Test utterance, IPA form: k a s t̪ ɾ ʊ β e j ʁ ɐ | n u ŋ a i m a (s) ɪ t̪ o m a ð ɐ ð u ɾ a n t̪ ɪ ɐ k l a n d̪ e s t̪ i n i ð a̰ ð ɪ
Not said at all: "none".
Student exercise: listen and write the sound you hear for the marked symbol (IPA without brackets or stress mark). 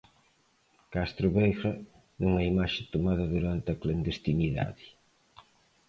ʃ